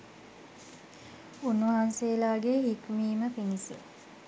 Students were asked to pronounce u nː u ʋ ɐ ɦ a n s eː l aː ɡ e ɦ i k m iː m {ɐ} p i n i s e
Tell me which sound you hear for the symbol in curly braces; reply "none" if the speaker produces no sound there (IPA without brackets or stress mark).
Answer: ə